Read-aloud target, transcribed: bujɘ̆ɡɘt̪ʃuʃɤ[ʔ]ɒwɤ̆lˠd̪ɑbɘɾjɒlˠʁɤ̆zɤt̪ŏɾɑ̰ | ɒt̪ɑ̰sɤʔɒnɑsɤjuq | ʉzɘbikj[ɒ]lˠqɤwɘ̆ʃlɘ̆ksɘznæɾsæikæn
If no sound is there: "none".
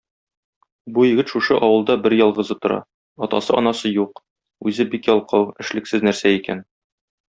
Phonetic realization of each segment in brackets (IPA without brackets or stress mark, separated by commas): ʔ, ɒ